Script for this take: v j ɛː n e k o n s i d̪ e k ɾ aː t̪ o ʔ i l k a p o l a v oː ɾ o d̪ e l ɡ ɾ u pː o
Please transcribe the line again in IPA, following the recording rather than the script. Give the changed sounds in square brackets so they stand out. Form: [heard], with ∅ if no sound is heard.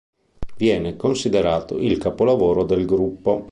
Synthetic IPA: v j ɛː n e k o n s i d̪ e [∅] ɾ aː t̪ o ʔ i l k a p o l a v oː ɾ o d̪ e l ɡ ɾ u pː o